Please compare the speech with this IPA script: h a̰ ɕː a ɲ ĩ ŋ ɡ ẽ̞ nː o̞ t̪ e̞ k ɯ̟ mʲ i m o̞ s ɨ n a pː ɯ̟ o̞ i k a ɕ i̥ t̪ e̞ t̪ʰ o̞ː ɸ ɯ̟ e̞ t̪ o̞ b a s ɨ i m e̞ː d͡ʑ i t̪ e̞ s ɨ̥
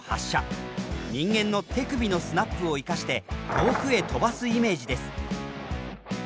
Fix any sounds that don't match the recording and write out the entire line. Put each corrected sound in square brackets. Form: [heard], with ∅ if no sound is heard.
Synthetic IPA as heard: h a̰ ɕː a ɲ ĩ ŋ ɡ ẽ̞ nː o̞ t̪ e̞ k ɯ̟ [bʲ] i [n] o̞ s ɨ n a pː ɯ̟ o̞ i k a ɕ i̥ t̪ e̞ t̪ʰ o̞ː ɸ ɯ̟ e̞ t̪ o̞ b a s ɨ i m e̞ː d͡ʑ i [d̪] e̞ s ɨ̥